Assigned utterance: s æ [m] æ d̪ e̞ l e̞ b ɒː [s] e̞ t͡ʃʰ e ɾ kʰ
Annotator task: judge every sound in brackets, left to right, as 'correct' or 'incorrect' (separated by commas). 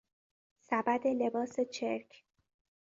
incorrect, correct